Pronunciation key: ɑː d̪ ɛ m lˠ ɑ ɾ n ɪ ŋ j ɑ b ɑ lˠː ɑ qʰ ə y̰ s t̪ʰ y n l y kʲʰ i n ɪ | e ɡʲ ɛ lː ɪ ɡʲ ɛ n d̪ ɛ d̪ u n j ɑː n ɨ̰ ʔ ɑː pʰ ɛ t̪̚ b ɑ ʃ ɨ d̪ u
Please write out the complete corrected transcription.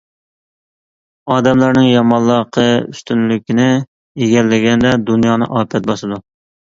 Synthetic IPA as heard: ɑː d̪ ɛ m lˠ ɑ ɾ n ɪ ŋ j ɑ m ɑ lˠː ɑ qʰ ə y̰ s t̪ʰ y n l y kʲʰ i n ɪ | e ɡʲ ɛ lː ɪ ɡʲ ɛ n d̪ ɛ d̪ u n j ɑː n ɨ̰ ʔ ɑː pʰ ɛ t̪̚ b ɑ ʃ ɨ d̪ u